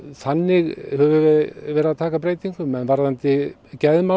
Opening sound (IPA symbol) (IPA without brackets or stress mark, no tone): θ